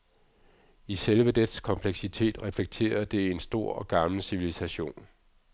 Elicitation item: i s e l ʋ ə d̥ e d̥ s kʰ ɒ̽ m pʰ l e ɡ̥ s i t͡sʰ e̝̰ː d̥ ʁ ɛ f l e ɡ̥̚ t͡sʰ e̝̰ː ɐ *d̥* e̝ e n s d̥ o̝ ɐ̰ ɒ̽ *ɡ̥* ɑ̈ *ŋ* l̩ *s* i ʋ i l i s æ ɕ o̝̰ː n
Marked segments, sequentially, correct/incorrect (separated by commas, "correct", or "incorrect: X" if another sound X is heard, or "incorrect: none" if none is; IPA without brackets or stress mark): correct, correct, incorrect: m, correct